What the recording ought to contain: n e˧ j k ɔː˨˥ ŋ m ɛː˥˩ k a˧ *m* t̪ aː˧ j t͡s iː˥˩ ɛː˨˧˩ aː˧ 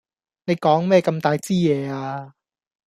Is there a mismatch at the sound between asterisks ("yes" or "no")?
no